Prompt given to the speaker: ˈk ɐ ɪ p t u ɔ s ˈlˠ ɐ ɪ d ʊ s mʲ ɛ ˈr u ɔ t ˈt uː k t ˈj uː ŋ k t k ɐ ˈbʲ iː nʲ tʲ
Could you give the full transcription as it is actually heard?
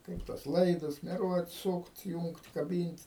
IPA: ˈk ɐ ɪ p t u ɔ s ˈlˠ ɐ ɪ d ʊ s mʲ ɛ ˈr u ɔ t ˈs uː k t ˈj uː ŋ k t k ɐ ˈbʲ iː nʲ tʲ